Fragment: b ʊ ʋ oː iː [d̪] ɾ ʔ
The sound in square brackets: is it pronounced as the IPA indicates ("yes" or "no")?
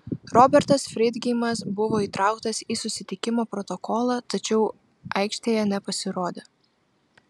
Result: no